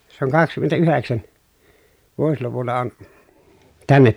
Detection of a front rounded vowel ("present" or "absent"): present